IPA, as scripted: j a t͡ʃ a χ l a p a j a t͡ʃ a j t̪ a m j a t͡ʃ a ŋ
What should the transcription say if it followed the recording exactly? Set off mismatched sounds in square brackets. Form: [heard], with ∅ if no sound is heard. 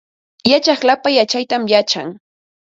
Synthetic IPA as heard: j a t͡ʃ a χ l a p a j a t͡ʃ a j t̪ a m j a t͡ʃ a ŋ

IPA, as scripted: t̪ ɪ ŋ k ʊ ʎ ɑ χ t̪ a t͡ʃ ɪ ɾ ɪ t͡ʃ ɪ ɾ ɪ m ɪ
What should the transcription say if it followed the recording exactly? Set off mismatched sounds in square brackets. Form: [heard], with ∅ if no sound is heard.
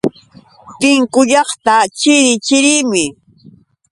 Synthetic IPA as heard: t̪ ɪ ŋ k ʊ ʎ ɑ χ t̪ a t͡ʃ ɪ ɾ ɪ t͡ʃ ɪ ɾ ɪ m ɪ

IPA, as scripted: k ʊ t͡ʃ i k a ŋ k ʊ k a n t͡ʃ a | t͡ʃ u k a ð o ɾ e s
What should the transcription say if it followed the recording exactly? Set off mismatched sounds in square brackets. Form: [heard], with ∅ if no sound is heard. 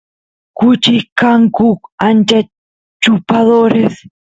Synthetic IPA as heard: k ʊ t͡ʃ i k a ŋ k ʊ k a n t͡ʃ a | t͡ʃ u [p] a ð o ɾ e s

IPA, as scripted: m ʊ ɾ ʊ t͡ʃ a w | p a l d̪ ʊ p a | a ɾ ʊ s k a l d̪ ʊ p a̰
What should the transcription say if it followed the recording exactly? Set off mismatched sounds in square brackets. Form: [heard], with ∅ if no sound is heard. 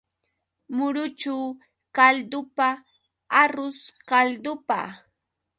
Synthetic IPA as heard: m ʊ ɾ ʊ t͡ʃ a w | [k] a l d̪ ʊ p a | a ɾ ʊ s k a l d̪ ʊ p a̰

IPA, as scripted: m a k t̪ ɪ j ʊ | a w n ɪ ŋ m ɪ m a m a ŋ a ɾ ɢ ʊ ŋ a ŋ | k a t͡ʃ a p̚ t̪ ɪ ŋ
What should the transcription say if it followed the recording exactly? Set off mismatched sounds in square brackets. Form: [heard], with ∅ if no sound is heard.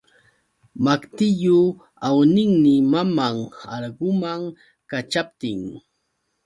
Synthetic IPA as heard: m a k t̪ ɪ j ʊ | a w n ɪ ŋ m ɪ m a m a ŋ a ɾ ɢ ʊ [m] a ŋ | k a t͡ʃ a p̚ t̪ ɪ ŋ

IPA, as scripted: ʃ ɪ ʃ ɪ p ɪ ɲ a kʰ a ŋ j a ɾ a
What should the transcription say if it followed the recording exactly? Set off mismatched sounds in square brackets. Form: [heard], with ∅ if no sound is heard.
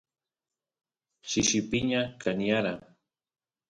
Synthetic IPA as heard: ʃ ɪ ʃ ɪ p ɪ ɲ a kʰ a [n] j a ɾ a

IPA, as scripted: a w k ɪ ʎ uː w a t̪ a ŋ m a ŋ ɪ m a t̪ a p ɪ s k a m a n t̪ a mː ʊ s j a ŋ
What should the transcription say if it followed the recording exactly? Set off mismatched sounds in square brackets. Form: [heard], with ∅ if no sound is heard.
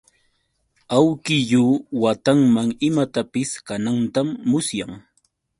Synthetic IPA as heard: a w k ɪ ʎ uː w a t̪ a ŋ m a ŋ ɪ m a t̪ a p ɪ s k a [n] a n t̪ a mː ʊ s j a ŋ

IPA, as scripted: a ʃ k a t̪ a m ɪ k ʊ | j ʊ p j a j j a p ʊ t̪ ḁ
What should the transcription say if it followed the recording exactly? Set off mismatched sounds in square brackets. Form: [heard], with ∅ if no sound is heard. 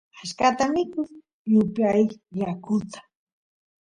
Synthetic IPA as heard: a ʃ k a t̪ a m ɪ k ʊ | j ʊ p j a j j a [k] ʊ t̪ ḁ

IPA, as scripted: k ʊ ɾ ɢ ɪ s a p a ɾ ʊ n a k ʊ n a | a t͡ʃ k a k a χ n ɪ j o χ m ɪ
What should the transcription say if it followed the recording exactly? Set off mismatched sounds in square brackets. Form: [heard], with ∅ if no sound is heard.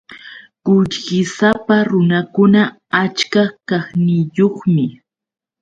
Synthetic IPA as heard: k ʊ [ʎ] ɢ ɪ s a p a ɾ ʊ n a k ʊ n a | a t͡ʃ k a k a χ n ɪ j o χ m ɪ

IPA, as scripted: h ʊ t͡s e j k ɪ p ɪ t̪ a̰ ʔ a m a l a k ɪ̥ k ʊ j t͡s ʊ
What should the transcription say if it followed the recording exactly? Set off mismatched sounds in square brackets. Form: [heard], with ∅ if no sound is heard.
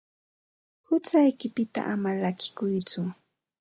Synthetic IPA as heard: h ʊ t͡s [a] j k ɪ p ɪ t̪ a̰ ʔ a m a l a k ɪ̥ k ʊ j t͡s ʊ

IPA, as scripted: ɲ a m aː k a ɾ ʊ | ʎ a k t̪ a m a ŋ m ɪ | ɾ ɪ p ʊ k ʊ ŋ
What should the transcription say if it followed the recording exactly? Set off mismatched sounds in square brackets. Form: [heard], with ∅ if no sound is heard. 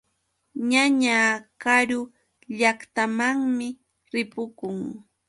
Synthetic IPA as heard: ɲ a [ɲ] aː k a ɾ ʊ | ʎ a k t̪ a m a ŋ m ɪ | ɾ ɪ p ʊ k ʊ ŋ

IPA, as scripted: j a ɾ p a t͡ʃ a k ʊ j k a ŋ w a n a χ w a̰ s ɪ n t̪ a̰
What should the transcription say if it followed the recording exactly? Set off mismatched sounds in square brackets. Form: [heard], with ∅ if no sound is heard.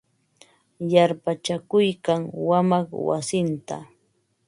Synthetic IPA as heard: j a ɾ p a t͡ʃ a k ʊ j k a ŋ w a [m] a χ w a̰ s ɪ n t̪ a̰

